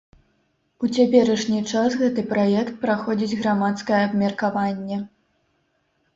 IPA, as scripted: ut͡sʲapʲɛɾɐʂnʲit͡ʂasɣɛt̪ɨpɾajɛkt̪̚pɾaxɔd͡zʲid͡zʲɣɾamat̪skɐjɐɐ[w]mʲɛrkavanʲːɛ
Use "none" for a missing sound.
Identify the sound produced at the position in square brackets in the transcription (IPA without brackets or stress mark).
b